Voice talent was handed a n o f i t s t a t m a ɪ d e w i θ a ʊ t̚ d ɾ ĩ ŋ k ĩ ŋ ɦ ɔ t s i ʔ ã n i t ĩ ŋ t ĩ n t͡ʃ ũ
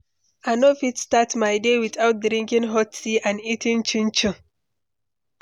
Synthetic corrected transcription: a n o f i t s t a t m a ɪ d e w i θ a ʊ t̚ d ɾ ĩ ŋ k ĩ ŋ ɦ ɔ t s i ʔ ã n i t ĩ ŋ t͡ʃ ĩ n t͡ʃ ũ